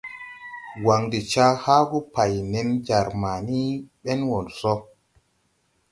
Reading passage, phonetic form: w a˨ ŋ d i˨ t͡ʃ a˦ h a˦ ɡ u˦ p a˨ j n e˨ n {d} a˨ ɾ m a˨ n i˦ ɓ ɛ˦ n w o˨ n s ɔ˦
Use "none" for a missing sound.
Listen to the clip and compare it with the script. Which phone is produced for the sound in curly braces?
d͡ʒ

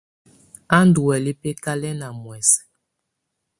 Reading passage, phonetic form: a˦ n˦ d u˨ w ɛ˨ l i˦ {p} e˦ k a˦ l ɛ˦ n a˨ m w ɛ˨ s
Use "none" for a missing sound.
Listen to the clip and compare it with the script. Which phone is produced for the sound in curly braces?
p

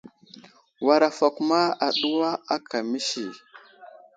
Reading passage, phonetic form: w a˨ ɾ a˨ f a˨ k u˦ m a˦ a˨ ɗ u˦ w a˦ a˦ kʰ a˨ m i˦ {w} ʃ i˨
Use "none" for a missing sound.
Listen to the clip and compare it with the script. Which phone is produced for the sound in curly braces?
none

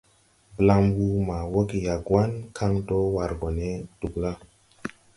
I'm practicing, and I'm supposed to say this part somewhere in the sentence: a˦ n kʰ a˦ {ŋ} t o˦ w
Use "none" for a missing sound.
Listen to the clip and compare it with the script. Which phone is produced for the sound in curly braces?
ŋ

